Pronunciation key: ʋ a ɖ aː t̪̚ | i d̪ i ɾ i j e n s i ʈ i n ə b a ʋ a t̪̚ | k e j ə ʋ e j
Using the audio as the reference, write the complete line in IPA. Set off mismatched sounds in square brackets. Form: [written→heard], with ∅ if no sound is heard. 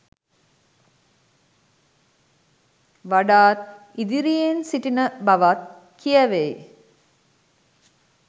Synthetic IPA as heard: ʋ a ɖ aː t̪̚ | i d̪ i ɾ i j e n s i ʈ i n ə b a ʋ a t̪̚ | k [e→i] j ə ʋ e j